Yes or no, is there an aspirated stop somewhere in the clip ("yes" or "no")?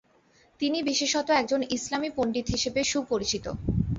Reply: no